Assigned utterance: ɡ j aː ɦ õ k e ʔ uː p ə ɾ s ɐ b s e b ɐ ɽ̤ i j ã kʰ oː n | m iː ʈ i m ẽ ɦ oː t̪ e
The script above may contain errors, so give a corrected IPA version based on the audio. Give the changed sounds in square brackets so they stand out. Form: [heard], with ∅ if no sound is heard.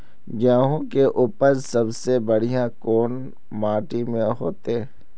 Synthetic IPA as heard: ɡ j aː ɦ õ k e ʔ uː p ə ɾ s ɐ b s e b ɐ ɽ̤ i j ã [k] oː n | m [aː] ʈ i m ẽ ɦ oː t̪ e